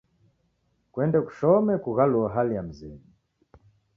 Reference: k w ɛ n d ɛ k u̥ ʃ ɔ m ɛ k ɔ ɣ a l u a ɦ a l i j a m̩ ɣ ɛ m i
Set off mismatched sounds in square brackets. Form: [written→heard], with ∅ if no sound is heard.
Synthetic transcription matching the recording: k w ɛ n d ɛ k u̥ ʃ ɔ m ɛ k [ɔ→u] ɣ a l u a ɦ a l i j a m̩ [ɣ→z] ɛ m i